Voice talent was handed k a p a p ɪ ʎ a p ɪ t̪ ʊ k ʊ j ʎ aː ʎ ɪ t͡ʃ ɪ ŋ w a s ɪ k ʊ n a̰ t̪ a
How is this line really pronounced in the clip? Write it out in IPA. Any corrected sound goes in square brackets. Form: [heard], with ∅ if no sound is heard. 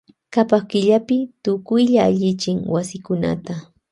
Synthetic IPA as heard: k a p a [k] ɪ ʎ a p ɪ t̪ ʊ k ʊ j ʎ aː ʎ ɪ t͡ʃ ɪ ŋ w a s ɪ k ʊ n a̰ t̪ a